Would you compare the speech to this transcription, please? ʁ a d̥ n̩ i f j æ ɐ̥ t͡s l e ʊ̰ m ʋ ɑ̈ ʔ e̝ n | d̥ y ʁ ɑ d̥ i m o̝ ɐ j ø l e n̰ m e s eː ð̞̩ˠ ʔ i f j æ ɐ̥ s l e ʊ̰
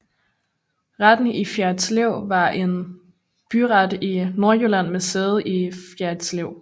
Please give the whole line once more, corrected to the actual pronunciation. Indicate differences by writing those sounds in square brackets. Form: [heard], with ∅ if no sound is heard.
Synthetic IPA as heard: ʁ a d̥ n̩ i f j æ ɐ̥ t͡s l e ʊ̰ [∅] ʋ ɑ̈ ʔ e̝ n | [b̥] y ʁ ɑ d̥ i [n] o̝ ɐ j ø l [æ] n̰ m e s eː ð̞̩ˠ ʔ i f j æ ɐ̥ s l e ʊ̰